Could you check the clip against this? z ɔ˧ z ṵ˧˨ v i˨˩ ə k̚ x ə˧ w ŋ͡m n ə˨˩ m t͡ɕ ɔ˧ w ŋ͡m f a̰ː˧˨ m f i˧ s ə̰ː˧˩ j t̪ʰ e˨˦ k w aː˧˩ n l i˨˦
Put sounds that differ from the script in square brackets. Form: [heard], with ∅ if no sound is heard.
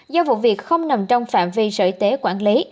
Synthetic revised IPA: z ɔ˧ [v] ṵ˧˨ v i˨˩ ə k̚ x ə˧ w ŋ͡m n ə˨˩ m t͡ɕ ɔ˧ w ŋ͡m f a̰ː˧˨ m [v] i˧ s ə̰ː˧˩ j [t̪] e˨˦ k w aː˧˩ n l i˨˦